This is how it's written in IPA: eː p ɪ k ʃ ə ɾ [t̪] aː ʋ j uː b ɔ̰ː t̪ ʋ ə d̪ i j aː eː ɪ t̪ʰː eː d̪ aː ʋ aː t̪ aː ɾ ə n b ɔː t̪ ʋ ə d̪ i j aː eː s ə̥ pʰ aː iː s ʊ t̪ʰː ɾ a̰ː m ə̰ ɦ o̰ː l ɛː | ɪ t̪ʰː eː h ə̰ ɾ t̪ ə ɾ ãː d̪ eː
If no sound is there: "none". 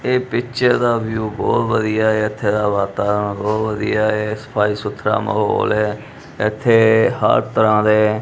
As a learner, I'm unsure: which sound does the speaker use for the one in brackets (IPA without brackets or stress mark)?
d̪